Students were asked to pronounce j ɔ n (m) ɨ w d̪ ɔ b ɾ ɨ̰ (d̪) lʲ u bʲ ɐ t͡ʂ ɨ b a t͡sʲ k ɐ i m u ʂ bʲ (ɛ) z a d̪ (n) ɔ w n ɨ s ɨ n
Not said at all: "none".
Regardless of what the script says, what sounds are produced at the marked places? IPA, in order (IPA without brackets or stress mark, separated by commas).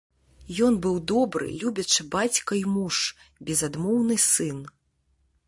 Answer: b, none, ɛ, m